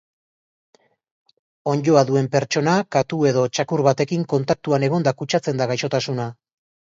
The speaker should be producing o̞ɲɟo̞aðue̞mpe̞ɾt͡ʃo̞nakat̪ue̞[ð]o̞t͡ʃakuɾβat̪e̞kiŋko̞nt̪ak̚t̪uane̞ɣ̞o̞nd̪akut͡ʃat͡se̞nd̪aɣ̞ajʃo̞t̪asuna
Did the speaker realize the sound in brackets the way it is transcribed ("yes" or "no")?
yes